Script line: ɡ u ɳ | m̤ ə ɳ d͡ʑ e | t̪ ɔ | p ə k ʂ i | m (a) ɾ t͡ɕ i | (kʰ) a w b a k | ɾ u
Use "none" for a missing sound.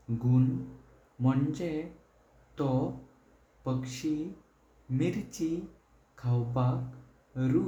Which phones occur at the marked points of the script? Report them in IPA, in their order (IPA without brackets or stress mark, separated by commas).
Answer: i, kʰ